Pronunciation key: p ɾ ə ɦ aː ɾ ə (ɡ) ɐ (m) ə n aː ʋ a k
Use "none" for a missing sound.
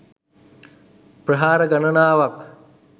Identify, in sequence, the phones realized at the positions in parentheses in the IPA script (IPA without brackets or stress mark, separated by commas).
ɡ, n